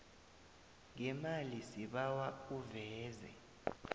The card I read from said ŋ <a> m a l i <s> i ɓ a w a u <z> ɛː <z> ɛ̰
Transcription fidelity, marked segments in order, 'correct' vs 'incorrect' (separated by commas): incorrect, correct, incorrect, correct